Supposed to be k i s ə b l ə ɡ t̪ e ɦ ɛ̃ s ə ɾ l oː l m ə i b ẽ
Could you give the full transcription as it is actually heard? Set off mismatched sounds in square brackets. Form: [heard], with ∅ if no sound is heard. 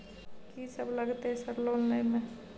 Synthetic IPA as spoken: k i s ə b l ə ɡ t̪ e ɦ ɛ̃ s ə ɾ l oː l [n] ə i [m] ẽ